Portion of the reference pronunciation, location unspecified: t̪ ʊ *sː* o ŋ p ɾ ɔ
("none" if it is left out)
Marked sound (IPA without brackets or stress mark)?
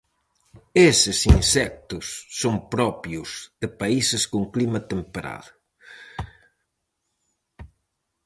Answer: sː